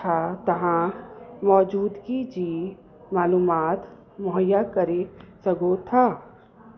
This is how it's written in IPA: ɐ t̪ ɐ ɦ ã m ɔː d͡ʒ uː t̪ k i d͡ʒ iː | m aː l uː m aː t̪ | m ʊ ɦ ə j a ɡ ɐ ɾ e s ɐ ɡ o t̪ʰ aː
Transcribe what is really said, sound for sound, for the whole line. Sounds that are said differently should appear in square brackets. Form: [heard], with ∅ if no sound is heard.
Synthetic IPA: [a] t̪ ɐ ɦ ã m ɔː d͡ʒ uː [d̪] k i d͡ʒ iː | m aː l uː m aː t̪ | m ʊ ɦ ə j a [k] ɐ ɾ e s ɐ ɡ o t̪ʰ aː